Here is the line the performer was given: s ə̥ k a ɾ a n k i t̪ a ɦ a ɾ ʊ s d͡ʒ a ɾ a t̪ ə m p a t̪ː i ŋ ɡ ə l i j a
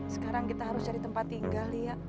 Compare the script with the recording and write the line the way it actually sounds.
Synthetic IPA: s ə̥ k a ɾ a ŋ k i t̪ a ɦ a ɾ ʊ s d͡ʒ a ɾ i t̪ ə m p a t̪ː i ŋ ɡ a l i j a